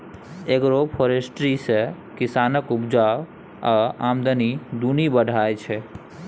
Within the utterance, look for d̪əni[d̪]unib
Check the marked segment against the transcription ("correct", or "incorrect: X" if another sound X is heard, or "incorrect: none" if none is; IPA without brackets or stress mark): correct